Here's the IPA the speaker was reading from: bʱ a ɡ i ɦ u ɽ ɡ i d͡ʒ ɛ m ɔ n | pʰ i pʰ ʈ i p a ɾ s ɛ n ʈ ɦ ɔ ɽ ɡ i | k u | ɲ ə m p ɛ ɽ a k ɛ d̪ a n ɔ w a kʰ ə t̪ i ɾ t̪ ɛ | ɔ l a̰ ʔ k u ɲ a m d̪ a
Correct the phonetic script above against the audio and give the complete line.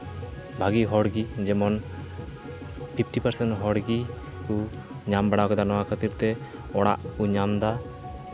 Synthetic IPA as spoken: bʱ a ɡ i ɦ ɔ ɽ ɡ i d͡ʒ ɛ m ɔ n | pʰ i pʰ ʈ i p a ɾ s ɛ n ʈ ɦ ɔ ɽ ɡ i | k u | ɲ a m b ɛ ɽ a k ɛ d̪ a n ɔ w a kʰ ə t̪ i ɾ t̪ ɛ | ɔ ɽ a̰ ʔ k u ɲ a m d̪ a